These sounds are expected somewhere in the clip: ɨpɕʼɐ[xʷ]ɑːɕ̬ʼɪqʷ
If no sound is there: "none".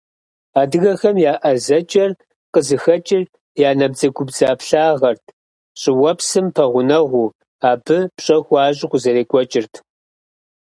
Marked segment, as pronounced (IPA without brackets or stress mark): xʷ